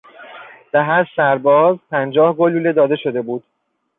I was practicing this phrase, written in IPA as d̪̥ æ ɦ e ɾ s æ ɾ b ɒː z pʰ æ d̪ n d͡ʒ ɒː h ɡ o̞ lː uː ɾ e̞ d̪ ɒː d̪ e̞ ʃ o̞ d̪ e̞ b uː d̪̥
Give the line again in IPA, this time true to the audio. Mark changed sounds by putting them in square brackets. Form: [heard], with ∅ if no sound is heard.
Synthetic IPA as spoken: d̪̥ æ ɦ [æ] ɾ s æ ɾ b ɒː z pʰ æ [∅] n d͡ʒ ɒː h ɡ o̞ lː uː [l] e̞ d̪ ɒː d̪ e̞ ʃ o̞ d̪ e̞ b uː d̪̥